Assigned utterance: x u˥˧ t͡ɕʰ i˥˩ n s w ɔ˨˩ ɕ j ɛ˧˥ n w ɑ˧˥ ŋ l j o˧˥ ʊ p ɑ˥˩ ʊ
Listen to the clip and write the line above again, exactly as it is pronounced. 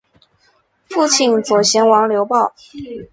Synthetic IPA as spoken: f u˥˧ t͡ɕʰ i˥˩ n t͡s w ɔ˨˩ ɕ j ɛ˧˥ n w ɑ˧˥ ŋ l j o˧˥ ʊ p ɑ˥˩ ʊ